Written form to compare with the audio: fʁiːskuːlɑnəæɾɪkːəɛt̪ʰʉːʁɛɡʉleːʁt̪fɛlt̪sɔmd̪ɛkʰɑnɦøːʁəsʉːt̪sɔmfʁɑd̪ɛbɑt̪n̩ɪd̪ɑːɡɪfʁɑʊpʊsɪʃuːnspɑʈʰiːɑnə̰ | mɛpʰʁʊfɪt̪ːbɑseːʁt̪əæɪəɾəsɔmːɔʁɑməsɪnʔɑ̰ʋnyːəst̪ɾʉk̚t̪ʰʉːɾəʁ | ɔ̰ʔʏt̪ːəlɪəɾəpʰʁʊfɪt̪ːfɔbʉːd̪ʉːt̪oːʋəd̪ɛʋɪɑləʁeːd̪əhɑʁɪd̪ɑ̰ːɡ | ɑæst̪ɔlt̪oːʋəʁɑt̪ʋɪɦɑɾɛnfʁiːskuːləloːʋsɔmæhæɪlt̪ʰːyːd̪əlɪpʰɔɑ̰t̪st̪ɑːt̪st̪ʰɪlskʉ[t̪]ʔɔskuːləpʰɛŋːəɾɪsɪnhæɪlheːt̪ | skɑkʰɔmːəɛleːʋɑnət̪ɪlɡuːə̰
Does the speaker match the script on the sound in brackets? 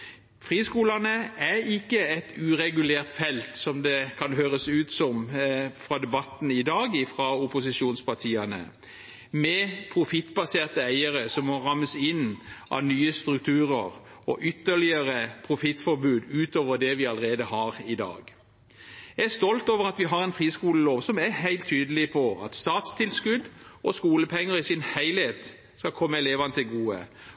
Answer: no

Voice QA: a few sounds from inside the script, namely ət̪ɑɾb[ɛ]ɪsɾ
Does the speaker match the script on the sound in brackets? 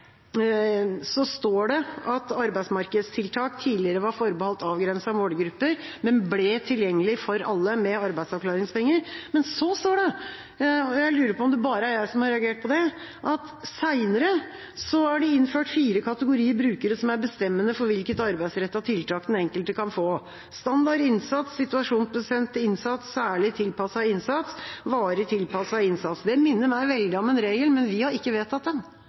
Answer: no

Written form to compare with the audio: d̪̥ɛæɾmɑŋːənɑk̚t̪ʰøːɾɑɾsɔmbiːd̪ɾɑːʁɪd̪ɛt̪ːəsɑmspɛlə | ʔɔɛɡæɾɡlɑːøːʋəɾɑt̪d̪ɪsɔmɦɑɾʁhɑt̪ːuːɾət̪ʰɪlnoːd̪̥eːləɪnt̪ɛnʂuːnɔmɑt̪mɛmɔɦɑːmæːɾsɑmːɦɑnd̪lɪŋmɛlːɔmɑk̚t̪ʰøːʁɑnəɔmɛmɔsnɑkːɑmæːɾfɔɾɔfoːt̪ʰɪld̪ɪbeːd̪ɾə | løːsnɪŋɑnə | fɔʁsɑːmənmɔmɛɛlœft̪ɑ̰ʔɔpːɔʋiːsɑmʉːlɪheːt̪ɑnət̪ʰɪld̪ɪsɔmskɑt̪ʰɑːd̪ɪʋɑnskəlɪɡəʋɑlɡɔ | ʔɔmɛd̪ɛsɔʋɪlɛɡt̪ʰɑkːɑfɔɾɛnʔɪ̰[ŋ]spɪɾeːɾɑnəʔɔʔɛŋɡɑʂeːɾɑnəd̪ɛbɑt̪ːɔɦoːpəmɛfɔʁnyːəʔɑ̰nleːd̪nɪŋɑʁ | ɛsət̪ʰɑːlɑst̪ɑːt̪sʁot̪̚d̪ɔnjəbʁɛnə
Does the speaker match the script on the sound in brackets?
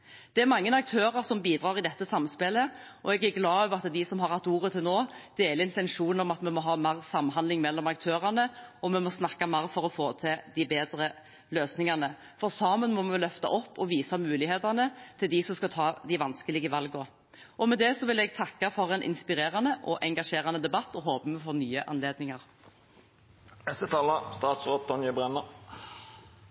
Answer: no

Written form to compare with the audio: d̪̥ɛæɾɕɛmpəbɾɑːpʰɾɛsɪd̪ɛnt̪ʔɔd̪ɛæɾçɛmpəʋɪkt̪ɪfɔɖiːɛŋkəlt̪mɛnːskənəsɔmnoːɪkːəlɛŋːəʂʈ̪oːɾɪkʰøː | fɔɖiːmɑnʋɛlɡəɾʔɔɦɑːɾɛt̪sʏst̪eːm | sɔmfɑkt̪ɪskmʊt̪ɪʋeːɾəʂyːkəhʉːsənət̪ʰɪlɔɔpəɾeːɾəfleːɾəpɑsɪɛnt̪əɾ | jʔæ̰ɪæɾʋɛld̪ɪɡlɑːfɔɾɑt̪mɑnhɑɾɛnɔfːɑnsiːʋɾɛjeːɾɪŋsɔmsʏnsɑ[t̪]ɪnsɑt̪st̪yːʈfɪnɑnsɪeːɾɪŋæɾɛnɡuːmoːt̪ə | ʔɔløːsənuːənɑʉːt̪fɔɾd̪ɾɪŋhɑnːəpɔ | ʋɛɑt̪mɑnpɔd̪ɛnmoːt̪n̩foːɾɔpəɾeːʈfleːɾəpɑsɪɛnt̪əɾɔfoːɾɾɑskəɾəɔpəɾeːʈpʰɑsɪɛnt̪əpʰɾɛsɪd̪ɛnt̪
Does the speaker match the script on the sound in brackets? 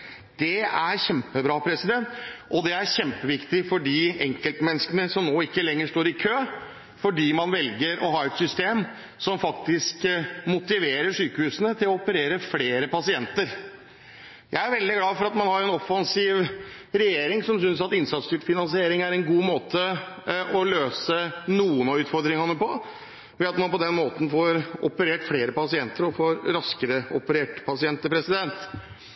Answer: yes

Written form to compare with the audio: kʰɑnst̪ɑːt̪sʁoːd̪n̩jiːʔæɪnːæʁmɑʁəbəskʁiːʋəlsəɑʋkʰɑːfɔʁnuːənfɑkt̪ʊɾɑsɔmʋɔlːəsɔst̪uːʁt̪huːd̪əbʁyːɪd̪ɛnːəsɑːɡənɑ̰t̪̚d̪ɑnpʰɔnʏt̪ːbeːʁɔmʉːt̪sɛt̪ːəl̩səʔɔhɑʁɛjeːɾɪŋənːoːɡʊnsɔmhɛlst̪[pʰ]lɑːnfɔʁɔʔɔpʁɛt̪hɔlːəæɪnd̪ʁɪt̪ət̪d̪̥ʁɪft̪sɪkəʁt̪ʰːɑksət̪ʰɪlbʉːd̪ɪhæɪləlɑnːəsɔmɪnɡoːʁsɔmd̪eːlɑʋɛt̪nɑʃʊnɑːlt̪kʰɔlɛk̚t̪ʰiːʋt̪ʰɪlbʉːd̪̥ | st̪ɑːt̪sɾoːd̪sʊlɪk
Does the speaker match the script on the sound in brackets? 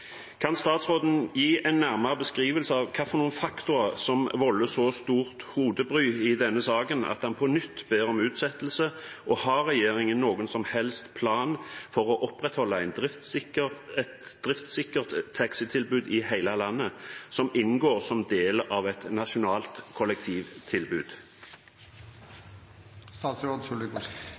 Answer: yes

